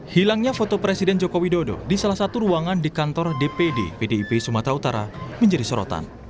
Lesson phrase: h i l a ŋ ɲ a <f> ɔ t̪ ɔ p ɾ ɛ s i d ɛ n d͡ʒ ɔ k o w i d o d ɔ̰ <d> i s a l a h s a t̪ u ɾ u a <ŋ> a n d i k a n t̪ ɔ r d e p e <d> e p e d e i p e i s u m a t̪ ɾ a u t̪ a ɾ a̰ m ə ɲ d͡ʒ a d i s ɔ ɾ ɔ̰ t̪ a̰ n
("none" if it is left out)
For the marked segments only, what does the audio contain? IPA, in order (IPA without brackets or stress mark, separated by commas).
f, d, ŋ, d